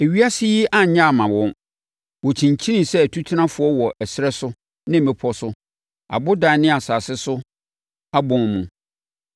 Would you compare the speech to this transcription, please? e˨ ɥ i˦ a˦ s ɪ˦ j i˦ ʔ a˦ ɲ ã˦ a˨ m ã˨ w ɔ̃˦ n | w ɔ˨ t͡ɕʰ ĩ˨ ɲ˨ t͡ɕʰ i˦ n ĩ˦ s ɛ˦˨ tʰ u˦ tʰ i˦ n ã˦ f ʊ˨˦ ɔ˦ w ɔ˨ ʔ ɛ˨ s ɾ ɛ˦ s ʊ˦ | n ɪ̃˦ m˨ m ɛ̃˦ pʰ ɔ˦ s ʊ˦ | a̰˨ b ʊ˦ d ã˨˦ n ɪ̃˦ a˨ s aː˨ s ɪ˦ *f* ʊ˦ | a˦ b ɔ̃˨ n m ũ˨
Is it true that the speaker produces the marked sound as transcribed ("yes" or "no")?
no